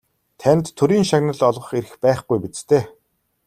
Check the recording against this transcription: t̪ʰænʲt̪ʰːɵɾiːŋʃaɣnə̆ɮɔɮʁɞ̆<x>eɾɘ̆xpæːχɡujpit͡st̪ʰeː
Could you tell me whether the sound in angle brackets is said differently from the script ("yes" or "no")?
yes